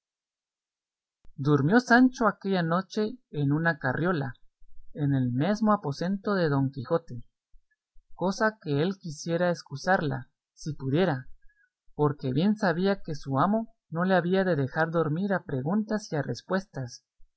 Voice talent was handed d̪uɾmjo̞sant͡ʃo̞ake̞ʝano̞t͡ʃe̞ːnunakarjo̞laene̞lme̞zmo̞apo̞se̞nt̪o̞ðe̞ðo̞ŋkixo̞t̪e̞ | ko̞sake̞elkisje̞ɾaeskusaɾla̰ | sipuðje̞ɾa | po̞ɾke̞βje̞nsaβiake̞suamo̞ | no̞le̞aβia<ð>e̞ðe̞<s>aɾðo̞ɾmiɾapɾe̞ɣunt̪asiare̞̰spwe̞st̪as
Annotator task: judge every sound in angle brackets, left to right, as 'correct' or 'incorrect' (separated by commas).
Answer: correct, incorrect